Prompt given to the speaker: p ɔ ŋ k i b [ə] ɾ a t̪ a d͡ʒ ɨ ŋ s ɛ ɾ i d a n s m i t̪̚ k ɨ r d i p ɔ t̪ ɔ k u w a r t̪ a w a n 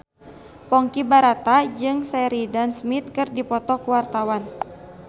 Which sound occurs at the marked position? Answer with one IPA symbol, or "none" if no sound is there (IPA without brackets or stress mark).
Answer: a